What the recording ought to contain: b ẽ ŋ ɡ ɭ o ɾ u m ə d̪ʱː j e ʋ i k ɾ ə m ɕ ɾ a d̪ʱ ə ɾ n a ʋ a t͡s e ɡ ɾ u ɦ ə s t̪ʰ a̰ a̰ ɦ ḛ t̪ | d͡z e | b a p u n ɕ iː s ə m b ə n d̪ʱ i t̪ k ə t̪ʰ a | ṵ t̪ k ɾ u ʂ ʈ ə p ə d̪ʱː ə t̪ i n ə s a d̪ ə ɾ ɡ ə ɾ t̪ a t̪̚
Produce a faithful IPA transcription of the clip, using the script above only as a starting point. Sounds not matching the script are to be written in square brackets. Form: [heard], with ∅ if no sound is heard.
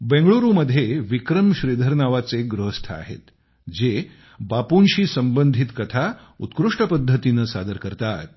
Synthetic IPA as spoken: b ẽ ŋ ɡ ɭ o ɾ u m ə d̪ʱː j e ʋ i k ɾ ə m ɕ ɾ [i] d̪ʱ ə ɾ n a ʋ a t͡s e ɡ ɾ u ɦ ə s t̪ʰ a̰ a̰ ɦ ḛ t̪ | d͡z e | b a p u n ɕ iː s ə m b ə n d̪ʱ i t̪ k ə t̪ʰ a | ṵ t̪ k ɾ u ʂ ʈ ə p ə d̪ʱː ə t̪ i n ə s a d̪ ə ɾ [k] ə ɾ t̪ a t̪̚